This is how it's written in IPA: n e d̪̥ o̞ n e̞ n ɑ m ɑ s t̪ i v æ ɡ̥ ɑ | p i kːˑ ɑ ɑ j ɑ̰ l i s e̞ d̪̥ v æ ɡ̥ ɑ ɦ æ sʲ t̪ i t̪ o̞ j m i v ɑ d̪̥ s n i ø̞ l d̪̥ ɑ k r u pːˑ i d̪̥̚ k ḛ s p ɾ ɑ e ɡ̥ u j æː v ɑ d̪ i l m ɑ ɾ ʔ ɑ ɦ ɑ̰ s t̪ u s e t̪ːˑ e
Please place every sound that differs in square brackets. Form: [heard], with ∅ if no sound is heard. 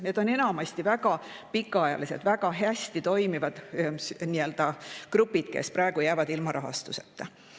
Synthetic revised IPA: n e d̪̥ o̞ n e̞ n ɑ m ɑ s t̪ i v æ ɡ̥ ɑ | p i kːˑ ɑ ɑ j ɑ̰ l i s e̞ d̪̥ v æ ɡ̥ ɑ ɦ æ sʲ t̪ i t̪ o̞ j m i v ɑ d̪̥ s n i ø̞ l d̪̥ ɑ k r u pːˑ i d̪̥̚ k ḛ s p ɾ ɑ e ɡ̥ u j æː v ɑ d̪ i l m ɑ ɾ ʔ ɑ ɦ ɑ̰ s t̪ u s e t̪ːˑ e

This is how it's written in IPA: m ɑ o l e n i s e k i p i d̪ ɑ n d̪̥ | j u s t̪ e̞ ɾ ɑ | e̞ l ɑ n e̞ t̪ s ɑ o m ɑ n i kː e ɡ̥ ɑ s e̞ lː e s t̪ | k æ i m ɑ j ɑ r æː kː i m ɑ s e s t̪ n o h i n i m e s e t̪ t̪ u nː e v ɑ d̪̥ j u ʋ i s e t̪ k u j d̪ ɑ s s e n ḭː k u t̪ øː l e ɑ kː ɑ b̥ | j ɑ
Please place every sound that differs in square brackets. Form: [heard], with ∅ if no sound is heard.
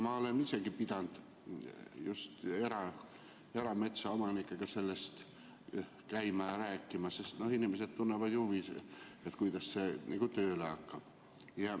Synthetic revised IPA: m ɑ o l e n i s e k i p i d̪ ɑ n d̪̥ | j u s t̪ e̞ ɾ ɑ | e̞ [ɾ] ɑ [m] e̞ t̪ s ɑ o m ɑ n i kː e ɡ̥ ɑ s e̞ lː e s t̪ | k æ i m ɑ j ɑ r æː kː i m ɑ s e s t̪ n o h i n i m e s e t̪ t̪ u nː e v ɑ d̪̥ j u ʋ i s e t̪ k u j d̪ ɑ s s e n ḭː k u t̪ øː l e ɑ kː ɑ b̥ | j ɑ

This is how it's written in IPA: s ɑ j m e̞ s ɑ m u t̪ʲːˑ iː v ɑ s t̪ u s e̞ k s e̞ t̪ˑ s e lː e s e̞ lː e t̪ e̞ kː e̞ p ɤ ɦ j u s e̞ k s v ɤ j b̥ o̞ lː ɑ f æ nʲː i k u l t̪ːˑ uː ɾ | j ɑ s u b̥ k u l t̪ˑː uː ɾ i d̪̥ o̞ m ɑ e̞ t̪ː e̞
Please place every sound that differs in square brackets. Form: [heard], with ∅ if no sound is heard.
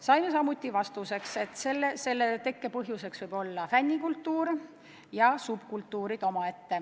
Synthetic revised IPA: s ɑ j m e̞ s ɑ m u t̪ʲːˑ [i] v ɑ s t̪ u s e̞ k s e̞ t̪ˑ s e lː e s e̞ lː e t̪ e̞ kː e̞ p ɤ ɦ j u s e̞ k s v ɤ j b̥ o̞ lː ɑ f æ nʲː i k u l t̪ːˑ uː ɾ | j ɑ s u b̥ k u l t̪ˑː uː ɾ i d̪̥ o̞ m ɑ e̞ t̪ː e̞

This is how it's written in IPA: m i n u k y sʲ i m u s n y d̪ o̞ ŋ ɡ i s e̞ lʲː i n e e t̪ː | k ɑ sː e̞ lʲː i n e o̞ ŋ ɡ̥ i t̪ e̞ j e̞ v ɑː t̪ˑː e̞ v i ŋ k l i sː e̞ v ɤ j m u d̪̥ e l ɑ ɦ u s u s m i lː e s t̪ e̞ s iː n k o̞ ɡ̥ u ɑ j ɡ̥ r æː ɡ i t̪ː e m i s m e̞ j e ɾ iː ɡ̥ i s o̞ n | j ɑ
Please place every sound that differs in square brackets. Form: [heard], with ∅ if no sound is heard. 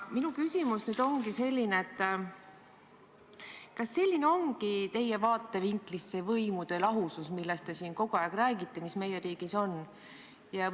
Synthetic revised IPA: m i n u k y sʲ i m u s n y d̪ o̞ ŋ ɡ i s e̞ lʲː i n e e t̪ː | k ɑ sː e̞ lʲː i n e o̞ ŋ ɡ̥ i t̪ e̞ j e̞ v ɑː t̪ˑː e̞ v i ŋ k l i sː e̞ v ɤ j m u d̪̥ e l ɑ ɦ u s u s m i lː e s t̪ e̞ s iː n k o̞ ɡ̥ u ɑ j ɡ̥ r æː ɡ i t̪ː e m i s m e̞ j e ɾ iː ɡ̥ i s o̞ n | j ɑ

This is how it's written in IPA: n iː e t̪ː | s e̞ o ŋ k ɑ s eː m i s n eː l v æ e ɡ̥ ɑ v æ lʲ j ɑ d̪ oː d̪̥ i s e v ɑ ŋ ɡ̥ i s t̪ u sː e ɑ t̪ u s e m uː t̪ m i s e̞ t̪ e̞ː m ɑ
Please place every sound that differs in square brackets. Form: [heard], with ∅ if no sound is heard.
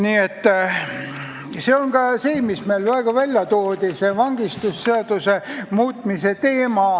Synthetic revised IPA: n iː e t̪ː | s e̞ o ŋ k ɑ s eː m i s [m] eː l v æ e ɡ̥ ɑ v æ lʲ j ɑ [t̪] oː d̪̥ i s e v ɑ ŋ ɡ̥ i s t̪ u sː e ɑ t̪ u s e m uː t̪ m i s e̞ t̪ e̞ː m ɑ

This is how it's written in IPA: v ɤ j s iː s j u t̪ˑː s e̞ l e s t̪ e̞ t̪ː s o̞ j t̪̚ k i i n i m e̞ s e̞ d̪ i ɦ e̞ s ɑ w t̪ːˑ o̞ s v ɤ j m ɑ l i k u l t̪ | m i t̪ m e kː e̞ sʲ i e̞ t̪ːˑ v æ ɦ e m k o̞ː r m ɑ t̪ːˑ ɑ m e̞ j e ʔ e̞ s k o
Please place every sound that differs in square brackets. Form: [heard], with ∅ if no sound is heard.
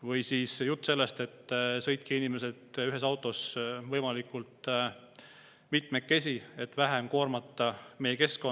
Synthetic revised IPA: v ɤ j s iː s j u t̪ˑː s e̞ [lː] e s t̪ e̞ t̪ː s [ɤ̞] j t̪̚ k i i n i m e̞ s e̞ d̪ [y] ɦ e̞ s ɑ w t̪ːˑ o̞ s v ɤ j m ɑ l i k u l t̪ | m i t̪ m e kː e̞ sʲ i e̞ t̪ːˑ v æ ɦ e m k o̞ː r m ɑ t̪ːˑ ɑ m e̞ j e [k] e̞ s k o

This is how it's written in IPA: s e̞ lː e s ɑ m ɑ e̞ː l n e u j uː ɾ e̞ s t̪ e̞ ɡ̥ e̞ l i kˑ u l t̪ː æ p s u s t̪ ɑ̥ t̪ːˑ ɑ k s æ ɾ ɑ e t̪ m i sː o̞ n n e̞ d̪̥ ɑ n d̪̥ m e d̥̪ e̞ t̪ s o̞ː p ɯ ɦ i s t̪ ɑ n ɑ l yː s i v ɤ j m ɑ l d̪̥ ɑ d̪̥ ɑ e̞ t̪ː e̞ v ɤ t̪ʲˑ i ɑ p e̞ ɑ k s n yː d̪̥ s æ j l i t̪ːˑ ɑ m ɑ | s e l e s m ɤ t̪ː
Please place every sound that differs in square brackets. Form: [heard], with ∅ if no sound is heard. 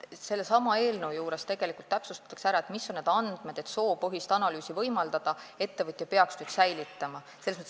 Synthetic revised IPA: s e̞ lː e s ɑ m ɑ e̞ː l n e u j uː ɾ e̞ s t̪ e̞ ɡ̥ e̞ l i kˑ u l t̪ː æ p s u s t̪ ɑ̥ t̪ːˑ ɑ k s æ ɾ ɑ e t̪ m i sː o̞ n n e̞ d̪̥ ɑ n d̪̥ m e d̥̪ e̞ t̪ s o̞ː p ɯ ɦ i s t̪ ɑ n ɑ l yː s i v ɤ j m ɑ l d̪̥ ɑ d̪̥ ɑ e̞ t̪ː e̞ v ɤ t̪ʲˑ [j] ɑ p e̞ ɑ k s n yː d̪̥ s æ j l i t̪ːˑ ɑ m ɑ | s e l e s m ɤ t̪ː

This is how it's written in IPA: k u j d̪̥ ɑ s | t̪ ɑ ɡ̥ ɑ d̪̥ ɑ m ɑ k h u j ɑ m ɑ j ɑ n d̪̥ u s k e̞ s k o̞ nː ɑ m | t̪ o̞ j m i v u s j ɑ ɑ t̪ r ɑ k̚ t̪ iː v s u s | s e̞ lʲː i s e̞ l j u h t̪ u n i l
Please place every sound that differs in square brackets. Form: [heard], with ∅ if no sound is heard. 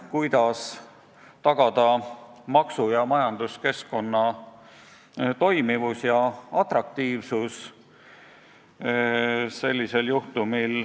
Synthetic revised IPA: k u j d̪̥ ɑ s | t̪ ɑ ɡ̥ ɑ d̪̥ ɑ m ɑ k [s] u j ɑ m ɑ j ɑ n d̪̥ u s k e̞ s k o̞ nː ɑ [∅] | t̪ o̞ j m i v u s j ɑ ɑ t̪ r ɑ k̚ t̪ iː v s u s | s e̞ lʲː i s e̞ l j u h t̪ u [m] i l

